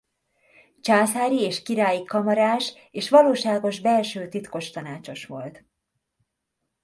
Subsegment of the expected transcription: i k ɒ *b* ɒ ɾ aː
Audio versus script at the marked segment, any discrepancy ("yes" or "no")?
yes